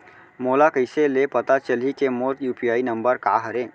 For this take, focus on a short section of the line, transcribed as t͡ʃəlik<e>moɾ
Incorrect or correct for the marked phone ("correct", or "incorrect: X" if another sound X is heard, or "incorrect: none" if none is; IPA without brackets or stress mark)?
correct